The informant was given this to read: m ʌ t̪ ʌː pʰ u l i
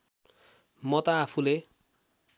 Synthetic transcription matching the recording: m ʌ t̪ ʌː pʰ u l e